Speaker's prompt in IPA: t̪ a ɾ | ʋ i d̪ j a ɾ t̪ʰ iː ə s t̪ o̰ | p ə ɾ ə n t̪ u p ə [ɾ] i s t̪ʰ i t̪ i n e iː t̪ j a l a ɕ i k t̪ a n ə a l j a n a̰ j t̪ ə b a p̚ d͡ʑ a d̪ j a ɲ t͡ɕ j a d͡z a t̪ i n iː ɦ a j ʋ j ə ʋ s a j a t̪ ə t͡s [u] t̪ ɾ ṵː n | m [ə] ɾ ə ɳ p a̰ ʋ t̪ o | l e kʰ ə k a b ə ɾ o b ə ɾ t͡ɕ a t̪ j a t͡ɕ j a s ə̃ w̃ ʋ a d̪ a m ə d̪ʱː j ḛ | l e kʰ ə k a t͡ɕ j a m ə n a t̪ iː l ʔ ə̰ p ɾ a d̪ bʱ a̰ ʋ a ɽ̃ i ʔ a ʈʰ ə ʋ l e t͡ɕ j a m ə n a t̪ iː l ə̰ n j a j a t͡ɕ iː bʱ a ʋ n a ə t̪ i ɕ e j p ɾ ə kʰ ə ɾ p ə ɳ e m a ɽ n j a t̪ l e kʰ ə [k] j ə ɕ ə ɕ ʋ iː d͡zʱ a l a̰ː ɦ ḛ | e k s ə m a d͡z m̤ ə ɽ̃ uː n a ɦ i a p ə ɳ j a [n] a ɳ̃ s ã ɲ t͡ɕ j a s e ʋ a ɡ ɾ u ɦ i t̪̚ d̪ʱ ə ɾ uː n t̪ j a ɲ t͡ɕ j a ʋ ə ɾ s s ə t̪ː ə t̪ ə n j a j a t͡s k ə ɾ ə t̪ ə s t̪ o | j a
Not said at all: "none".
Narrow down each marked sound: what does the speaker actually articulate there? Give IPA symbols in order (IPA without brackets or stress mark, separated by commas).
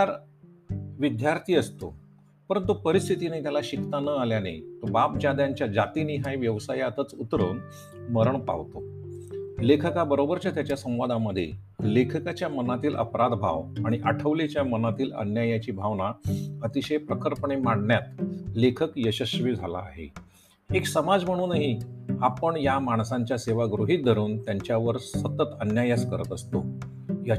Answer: ɾ, u, ə, k, m